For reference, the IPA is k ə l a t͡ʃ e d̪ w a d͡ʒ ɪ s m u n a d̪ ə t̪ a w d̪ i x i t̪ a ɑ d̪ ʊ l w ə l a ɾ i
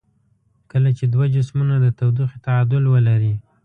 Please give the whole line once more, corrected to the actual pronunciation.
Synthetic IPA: k ə l a t͡ʃ e d̪ w a d͡ʒ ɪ s m u n a d̪ ə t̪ a w d̪ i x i t̪ a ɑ d̪ ʊ l w ə l a ɾ i